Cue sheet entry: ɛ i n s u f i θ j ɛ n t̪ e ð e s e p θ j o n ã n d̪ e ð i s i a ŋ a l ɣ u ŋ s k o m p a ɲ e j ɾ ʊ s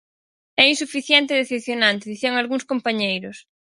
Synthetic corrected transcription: ɛ i n s u f i θ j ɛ n t̪ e ð e θ e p θ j o n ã n t̪ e ð i θ i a ŋ a l ɣ u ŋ s k o m p a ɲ e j ɾ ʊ s